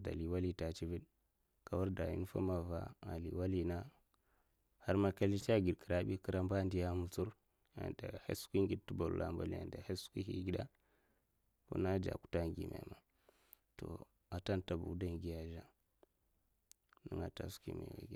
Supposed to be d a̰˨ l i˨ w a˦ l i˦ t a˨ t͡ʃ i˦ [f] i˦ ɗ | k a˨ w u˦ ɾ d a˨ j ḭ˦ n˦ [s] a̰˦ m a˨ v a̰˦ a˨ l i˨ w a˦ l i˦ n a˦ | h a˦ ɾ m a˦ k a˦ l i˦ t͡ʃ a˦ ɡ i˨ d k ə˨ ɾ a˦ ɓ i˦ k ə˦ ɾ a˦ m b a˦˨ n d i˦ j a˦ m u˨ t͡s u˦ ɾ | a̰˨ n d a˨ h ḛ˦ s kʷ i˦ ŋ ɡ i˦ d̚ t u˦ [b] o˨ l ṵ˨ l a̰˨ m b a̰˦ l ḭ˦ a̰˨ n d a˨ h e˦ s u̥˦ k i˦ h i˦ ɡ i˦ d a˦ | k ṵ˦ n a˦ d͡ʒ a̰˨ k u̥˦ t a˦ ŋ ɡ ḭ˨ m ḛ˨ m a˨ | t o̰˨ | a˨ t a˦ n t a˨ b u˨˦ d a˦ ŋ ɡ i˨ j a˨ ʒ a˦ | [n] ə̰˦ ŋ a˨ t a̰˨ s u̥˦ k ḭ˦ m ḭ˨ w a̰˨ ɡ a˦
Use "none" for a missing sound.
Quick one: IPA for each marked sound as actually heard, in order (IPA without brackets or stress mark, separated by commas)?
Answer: v, f, b, n